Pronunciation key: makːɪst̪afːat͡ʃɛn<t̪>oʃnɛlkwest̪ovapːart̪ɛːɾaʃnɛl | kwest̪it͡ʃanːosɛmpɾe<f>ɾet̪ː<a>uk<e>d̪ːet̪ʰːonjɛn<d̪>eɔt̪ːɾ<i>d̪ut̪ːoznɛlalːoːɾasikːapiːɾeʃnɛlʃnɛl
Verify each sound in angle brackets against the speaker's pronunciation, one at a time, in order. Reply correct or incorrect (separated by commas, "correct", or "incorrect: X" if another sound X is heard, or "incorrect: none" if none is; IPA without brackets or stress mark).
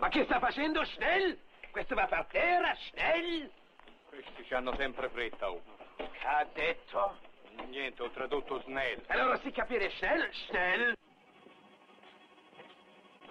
incorrect: d̪, correct, correct, incorrect: a, incorrect: t̪, incorrect: a